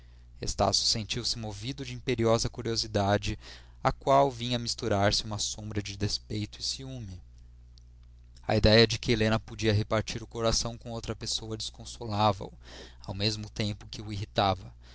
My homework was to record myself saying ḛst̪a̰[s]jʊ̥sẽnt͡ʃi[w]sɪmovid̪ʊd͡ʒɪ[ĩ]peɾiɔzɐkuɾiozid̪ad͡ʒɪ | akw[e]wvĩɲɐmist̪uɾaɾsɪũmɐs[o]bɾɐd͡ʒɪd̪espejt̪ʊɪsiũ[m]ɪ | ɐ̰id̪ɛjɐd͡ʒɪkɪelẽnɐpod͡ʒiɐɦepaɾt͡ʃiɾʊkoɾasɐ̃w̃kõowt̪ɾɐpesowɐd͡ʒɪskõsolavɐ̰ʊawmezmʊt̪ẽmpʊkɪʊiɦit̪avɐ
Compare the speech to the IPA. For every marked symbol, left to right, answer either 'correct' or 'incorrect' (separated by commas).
correct, correct, correct, incorrect, incorrect, correct